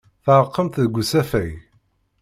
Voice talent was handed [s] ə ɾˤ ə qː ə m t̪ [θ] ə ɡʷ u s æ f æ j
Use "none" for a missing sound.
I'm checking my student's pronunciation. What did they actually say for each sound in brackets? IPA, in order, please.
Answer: θ, ð

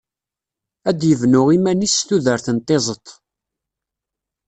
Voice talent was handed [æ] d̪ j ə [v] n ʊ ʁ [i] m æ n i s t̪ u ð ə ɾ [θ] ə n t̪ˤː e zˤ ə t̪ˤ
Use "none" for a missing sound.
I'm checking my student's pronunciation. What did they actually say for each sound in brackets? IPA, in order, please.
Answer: æ, v, i, θ

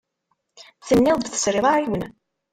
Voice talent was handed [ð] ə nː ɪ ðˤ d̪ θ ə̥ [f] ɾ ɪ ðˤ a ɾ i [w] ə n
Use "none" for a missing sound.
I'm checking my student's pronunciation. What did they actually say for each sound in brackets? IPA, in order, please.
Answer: θ, s, w

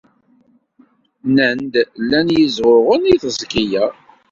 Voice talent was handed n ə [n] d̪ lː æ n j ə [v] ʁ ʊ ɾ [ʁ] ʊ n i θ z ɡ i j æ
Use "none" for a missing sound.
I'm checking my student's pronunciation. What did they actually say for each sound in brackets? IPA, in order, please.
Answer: n, z, ʁ

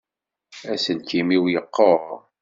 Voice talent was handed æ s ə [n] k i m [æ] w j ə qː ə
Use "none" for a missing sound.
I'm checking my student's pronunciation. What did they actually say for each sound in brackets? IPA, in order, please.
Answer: n, i

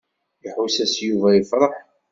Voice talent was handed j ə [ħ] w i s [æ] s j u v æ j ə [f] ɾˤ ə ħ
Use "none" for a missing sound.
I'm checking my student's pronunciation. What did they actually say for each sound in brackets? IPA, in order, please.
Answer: ħ, æ, f

